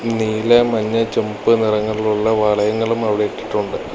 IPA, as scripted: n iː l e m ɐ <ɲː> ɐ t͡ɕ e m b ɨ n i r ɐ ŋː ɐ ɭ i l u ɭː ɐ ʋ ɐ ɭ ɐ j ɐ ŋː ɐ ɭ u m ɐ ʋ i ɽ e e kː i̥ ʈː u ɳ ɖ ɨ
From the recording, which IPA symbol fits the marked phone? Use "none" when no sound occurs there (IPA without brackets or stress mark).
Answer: ɲː